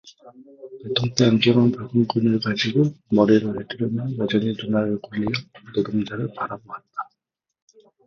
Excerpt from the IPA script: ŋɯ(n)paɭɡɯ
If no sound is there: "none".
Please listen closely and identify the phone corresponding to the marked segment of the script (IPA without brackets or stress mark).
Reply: n